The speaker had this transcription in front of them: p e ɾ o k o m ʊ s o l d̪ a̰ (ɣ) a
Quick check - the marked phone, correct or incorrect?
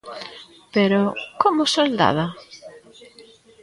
incorrect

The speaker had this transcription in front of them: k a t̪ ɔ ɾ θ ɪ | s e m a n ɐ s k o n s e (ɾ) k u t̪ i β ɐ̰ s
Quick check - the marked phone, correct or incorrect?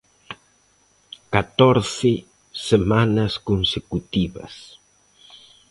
incorrect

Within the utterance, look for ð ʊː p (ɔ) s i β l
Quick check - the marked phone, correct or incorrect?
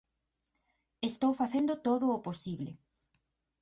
incorrect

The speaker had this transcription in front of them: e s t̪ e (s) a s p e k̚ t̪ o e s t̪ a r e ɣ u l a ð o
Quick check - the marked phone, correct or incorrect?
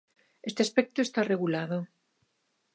incorrect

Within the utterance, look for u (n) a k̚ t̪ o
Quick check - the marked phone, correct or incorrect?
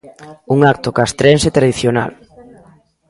incorrect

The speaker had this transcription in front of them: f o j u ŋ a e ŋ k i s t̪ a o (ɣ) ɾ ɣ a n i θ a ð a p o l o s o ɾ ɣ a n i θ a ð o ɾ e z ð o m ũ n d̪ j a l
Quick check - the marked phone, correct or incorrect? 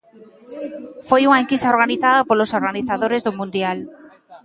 incorrect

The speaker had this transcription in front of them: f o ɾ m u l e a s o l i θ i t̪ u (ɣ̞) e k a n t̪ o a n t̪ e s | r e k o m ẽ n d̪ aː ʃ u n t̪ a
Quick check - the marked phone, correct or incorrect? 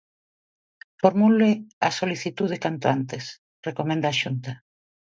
incorrect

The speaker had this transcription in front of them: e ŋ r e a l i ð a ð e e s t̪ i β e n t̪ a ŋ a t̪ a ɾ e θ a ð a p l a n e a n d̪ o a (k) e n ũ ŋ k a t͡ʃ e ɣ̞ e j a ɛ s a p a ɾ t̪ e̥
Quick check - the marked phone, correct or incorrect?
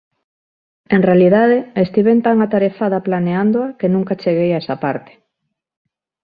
correct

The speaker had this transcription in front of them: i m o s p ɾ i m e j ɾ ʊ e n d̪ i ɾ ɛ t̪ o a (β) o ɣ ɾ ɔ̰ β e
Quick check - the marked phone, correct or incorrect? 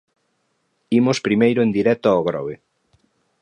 incorrect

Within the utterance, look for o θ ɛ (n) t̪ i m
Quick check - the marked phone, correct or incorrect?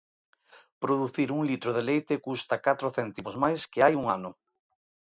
correct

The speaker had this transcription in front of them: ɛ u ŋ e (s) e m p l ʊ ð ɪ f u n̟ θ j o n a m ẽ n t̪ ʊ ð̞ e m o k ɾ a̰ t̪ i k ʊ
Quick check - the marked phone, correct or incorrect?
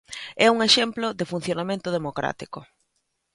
incorrect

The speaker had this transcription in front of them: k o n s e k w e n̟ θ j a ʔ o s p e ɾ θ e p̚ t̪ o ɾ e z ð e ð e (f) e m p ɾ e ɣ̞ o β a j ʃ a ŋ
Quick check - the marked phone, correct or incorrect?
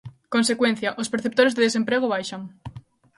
incorrect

